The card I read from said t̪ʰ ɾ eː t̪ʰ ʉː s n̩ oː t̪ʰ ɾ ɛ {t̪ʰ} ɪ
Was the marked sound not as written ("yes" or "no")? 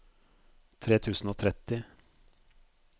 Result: yes